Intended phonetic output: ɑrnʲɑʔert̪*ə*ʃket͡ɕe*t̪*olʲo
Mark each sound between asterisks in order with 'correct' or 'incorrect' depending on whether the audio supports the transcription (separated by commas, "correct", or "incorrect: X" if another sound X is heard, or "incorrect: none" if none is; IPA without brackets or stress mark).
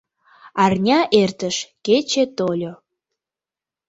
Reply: correct, correct